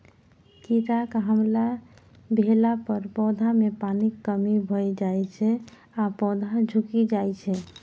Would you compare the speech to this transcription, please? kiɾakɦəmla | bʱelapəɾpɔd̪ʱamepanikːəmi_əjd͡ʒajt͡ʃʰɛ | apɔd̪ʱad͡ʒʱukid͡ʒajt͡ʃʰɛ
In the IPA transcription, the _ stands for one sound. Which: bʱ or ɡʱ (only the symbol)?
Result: bʱ